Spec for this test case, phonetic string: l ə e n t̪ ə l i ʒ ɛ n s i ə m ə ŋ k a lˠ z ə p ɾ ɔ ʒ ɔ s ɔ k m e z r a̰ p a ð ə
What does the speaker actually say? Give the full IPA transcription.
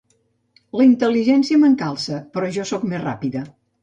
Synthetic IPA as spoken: l ə i n t̪ ə l i ʒ ɛ n s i ə m ə ŋ k a lˠ s ə p ɾ ɔ ʒ ɔ s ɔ k m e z r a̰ p i ð ə